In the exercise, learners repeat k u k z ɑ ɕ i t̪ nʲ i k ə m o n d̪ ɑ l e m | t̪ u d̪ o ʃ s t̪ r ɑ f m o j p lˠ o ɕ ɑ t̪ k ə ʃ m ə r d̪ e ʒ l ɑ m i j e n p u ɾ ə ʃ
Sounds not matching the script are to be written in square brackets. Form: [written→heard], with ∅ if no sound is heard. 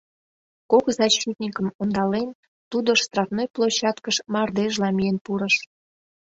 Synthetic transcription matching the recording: k [u→o] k z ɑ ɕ i t̪ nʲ i k ə m o n d̪ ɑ l e [m→n] | t̪ u d̪ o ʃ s t̪ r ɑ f [m→n] o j p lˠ o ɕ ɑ t̪ k ə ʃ m [ə→ɑ] r d̪ e ʒ l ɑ m i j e n p u ɾ ə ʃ